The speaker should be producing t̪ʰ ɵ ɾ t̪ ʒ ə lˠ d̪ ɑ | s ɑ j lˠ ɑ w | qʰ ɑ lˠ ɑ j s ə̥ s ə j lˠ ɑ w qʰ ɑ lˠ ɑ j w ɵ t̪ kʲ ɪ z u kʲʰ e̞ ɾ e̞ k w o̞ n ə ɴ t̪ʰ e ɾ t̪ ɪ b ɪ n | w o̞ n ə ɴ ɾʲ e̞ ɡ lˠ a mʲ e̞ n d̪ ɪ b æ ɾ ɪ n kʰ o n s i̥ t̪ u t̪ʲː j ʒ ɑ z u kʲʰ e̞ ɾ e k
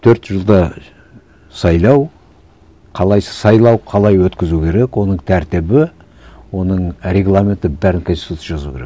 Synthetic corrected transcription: t̪ʰ ɵ ɾ t̪ ʒ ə lˠ d̪ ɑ | s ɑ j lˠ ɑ w | qʰ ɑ lˠ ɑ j s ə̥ s ɑ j lˠ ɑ w qʰ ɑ lˠ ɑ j w ɵ t̪ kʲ ɪ z u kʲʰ e̞ ɾ e̞ k w o̞ n ə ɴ t̪ʰ æ ɾ t̪ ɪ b ɪ | w o̞ n ə ɴ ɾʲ e̞ ɡ lˠ a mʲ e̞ n t̪ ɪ b æ ɾ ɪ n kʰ o n s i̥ t̪ u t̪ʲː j ʒ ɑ z u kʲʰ e̞ ɾ e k